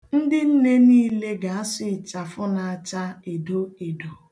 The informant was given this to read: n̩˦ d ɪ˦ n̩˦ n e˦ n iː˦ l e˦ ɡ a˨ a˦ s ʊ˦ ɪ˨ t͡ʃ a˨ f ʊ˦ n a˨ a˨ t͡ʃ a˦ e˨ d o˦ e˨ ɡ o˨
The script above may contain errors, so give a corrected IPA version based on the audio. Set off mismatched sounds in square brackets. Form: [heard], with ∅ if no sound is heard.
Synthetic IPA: n̩˦ d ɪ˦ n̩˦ n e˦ n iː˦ l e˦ ɡ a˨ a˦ s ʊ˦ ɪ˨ t͡ʃ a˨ f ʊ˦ n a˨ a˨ t͡ʃ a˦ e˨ d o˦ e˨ [d] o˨